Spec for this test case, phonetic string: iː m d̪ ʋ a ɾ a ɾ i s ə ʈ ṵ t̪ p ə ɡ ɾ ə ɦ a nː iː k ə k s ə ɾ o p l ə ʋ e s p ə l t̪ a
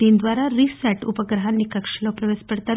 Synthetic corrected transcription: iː n d̪ ʋ a ɾ a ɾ i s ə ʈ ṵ p ə ɡ ɾ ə ɦ a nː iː k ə k ʂ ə l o p ɾ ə ʋ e s p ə ɽ t̪ a

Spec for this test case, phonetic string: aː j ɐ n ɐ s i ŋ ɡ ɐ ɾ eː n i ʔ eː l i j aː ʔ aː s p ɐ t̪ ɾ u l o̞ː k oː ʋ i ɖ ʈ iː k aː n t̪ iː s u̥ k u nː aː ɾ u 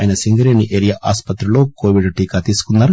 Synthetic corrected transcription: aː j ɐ n ɐ s i ŋ ɡ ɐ ɾ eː n i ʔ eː ɾ i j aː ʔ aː s p ɐ t̪ ɾ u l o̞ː k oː ʋ i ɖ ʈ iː k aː t̪ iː s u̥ k u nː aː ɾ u

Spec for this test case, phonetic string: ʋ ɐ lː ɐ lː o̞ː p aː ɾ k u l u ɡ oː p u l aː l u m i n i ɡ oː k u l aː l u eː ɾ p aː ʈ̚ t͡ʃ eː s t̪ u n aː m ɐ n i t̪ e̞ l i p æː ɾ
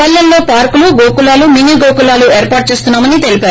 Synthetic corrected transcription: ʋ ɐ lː ɐ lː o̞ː p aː ɾ k u l u ɡ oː k u l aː l u m i n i ɡ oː k u l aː l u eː ɾ p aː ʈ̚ t͡ʃ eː s t̪ u nː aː m ɐ n i t̪ e̞ l i p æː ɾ

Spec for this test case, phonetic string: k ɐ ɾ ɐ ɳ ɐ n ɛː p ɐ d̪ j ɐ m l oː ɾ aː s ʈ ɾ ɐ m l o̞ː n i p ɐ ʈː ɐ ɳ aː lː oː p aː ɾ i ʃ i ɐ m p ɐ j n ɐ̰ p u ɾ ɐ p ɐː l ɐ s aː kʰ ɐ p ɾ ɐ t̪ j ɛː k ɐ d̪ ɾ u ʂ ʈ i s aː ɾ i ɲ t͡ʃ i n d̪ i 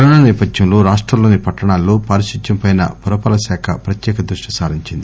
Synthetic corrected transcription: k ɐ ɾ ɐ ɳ ɐ n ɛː p ɐ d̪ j ɐ m l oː ɾ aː ʂ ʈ ɾ ɐ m l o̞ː n i p ɐ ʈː ɐ ɳ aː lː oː p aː ɾ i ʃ i ɐ m p ɐ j n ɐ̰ p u ɾ ɐ p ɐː l ɐ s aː kʰ ɐ p ɾ ɐ t̪ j ɛː k ɐ d̪ ɾ u ʂ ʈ i s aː ɾ i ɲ t͡ʃ i n d̪ i

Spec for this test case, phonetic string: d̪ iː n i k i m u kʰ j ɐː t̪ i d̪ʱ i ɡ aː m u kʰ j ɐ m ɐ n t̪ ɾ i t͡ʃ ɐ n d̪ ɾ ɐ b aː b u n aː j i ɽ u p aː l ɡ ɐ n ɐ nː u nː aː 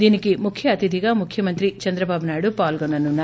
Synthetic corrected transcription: d̪ iː n i k i m u kʰ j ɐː t̪ i d̪ʱ i ɡ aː m u kʰ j ɐ m ɐ n t̪ ɾ i t͡ʃ ɐ n d̪ ɾ ɐ b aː b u n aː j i ɽ u p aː l ɡ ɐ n ɐ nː u nː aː

